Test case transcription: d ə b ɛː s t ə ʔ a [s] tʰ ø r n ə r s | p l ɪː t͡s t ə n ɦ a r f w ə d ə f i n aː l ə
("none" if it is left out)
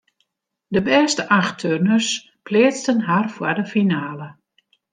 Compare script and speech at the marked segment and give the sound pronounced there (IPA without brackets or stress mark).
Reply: x